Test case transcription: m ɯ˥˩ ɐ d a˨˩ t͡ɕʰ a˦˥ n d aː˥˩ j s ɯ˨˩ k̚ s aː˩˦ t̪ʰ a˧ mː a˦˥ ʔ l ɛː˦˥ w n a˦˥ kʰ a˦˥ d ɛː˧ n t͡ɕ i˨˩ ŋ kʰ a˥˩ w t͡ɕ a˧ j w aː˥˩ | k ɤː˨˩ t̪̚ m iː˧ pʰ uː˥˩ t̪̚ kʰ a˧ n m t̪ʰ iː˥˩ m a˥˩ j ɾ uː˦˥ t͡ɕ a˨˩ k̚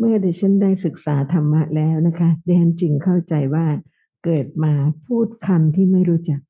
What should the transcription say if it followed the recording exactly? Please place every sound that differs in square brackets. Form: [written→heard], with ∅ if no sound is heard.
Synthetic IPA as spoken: m ɯ˥˩ ɐ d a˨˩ t͡ɕʰ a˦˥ n d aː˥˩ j s ɯ˨˩ k̚ s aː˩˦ t̪ʰ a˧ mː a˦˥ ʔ l ɛː˦˥ w n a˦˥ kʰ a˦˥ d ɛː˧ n t͡ɕ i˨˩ ŋ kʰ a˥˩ w t͡ɕ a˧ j w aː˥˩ | k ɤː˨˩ t̪̚ m [iː˧→aː˧] pʰ uː˥˩ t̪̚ kʰ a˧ [n→∅] m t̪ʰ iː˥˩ m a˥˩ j ɾ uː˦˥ t͡ɕ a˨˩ k̚